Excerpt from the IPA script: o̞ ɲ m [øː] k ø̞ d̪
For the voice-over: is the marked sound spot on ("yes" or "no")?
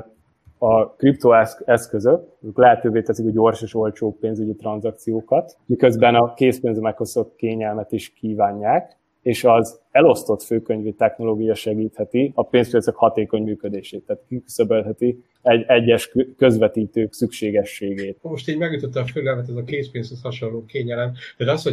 no